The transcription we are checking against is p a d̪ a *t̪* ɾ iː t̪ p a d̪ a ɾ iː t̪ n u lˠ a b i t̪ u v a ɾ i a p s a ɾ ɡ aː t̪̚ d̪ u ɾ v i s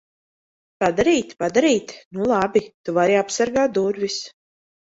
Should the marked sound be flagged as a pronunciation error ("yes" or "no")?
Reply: yes